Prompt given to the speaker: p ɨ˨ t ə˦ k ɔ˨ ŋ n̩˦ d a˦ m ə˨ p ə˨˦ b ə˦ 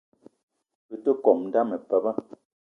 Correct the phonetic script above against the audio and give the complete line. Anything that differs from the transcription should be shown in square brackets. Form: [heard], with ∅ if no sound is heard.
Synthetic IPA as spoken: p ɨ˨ t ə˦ k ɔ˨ [m] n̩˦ d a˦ m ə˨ p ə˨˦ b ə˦